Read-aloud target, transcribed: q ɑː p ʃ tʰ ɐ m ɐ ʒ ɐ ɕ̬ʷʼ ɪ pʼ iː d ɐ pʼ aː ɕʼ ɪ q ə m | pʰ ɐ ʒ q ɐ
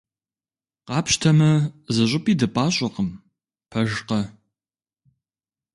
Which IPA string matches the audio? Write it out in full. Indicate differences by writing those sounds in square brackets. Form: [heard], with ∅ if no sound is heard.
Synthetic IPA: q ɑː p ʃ tʰ ɐ m ɐ [z] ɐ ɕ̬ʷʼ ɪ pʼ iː d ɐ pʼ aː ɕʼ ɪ q ə m | pʰ ɐ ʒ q ɐ